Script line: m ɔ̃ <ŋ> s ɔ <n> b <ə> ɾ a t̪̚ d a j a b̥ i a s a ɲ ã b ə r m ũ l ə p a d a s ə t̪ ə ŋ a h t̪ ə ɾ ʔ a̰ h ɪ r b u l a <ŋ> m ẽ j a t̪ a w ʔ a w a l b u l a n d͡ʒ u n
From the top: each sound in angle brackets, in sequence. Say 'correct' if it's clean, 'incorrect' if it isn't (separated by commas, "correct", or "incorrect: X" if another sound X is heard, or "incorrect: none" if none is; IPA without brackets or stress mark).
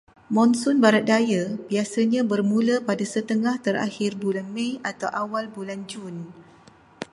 incorrect: n, correct, incorrect: a, incorrect: n